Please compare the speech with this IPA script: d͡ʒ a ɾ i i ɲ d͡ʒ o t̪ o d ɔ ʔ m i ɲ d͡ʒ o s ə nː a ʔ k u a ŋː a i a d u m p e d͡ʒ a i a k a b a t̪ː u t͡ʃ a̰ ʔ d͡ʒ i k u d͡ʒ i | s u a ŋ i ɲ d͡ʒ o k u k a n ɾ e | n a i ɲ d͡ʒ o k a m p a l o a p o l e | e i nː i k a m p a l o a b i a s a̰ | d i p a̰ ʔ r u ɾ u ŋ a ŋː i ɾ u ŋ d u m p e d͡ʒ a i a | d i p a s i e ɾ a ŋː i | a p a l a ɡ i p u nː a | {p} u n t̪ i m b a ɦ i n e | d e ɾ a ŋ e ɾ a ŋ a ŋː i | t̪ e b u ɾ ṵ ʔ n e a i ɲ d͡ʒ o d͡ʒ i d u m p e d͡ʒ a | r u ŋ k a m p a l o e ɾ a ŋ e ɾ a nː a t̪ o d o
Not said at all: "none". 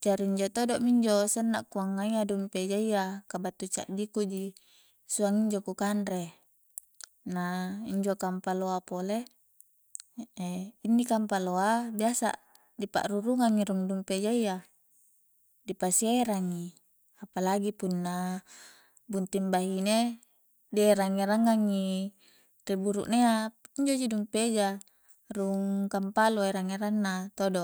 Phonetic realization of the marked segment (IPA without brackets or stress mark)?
b